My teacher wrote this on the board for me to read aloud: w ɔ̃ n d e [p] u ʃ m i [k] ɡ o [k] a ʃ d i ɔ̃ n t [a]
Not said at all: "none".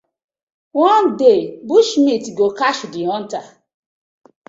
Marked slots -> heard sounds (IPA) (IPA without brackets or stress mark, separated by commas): b, t, k, a